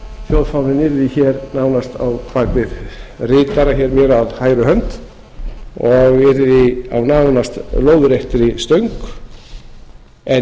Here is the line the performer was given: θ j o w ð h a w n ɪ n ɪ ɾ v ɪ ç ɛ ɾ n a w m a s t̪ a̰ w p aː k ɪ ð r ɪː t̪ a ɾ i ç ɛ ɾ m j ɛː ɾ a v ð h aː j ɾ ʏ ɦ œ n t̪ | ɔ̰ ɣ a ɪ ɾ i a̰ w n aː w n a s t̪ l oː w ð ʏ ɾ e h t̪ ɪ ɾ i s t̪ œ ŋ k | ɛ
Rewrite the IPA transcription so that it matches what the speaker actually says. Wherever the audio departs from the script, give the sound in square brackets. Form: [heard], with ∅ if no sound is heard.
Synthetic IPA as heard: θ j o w ð [f] a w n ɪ n ɪ ɾ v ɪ ç ɛ ɾ n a w [n] a s t̪ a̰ w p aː k ɪ ð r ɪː t̪ a ɾ [a] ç ɛ ɾ m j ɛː ɾ a [∅] ð h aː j ɾ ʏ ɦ œ n t̪ | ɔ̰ ɣ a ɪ ɾ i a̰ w n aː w n a s t̪ l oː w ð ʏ ɾ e h t̪ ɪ ɾ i s t̪ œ ŋ k | ɛ